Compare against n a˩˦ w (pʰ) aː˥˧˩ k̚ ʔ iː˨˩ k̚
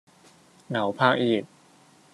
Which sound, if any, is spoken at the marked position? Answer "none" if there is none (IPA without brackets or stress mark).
pʰ